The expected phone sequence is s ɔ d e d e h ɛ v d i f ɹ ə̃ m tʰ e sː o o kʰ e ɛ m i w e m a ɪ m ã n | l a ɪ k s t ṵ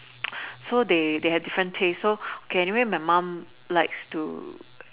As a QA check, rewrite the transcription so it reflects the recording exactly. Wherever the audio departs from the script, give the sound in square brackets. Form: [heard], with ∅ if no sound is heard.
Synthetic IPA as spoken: s [o] d e d e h ɛ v d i f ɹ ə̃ [n] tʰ e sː o o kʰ e ɛ [n] i w e m a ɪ m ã [m] | l a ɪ k s t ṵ